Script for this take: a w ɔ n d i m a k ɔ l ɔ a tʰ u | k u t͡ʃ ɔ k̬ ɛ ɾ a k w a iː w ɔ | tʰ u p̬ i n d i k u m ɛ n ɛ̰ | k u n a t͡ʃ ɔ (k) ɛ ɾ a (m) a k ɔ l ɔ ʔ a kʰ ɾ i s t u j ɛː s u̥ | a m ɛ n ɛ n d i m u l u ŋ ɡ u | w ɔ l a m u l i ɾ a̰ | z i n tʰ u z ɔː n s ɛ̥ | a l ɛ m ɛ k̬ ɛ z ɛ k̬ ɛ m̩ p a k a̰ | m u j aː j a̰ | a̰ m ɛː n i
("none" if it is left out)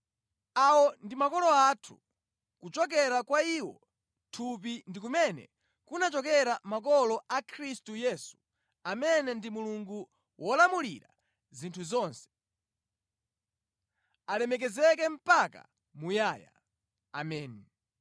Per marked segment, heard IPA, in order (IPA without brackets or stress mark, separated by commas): k, m